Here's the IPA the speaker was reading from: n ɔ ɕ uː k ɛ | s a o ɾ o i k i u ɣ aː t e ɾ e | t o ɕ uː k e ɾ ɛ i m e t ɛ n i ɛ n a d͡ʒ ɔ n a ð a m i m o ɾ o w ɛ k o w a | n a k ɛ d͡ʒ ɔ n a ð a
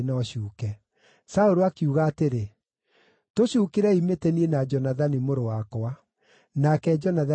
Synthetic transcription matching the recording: n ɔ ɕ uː k ɛ | s a o ɾ o a k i u ɣ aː t e ɾ e | t o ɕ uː k e ɾ ɛ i m e t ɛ n i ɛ n a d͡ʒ ɔ n a ð a n i m o ɾ o w a k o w a | n a k ɛ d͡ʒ ɔ n a ð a